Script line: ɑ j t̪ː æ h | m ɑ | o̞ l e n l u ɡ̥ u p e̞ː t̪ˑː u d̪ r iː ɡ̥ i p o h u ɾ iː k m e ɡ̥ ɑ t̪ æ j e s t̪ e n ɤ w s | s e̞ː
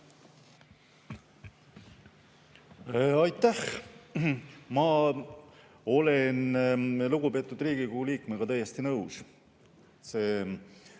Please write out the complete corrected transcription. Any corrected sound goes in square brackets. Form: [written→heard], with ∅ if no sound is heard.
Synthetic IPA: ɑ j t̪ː æ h | m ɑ | o̞ l e n l u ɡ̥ u p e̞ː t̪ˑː u d̪ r iː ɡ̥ i [p→k] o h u [ɾ→l] iː k m e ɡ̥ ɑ t̪ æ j e s t̪ [e→i] n ɤ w s | s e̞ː